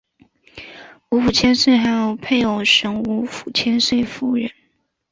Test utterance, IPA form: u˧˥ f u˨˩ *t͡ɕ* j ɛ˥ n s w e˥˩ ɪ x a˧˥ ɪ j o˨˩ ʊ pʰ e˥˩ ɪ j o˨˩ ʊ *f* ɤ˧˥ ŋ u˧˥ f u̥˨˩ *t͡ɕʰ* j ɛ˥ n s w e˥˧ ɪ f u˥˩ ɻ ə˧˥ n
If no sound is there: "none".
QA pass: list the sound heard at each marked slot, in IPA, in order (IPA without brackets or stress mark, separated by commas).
t͡ɕʰ, ʂ, t͡ɕʰ